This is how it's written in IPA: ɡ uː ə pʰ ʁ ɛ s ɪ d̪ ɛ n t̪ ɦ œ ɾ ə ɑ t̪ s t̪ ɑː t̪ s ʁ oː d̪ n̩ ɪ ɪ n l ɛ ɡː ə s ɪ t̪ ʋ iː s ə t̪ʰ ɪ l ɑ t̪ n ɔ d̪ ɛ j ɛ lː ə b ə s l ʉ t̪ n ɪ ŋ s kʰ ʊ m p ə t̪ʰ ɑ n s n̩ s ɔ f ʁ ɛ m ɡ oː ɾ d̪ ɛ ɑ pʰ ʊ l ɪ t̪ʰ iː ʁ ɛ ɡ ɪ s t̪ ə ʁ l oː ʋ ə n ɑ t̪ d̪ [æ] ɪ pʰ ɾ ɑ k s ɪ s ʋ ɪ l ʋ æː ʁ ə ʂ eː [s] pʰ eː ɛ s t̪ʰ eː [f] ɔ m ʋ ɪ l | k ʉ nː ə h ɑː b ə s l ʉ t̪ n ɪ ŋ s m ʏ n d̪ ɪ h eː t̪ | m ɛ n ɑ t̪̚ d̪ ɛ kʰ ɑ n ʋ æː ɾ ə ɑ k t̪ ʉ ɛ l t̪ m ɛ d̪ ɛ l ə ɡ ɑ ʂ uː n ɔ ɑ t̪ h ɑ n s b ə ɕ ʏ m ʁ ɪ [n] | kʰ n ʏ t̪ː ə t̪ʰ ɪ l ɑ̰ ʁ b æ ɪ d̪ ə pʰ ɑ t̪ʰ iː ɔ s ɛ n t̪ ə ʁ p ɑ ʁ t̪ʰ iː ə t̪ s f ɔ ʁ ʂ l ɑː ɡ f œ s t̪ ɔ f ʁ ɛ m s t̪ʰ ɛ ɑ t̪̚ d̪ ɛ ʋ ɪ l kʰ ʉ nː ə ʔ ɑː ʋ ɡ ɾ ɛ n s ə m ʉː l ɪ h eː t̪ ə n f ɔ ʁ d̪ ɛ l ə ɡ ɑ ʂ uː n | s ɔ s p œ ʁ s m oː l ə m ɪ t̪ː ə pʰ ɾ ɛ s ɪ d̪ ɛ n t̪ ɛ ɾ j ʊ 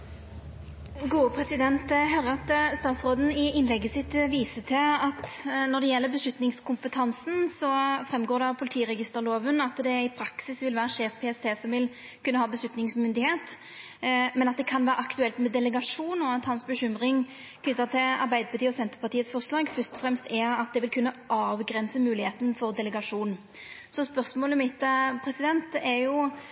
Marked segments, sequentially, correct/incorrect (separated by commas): incorrect, incorrect, incorrect, incorrect